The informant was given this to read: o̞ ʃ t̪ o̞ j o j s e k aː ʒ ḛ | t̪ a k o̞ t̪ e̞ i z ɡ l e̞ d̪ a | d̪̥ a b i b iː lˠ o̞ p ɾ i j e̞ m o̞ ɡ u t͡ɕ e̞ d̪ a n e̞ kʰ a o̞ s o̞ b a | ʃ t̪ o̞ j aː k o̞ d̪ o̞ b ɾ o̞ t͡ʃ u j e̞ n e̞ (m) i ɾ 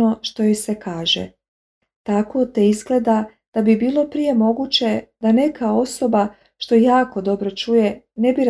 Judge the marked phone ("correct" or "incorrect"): incorrect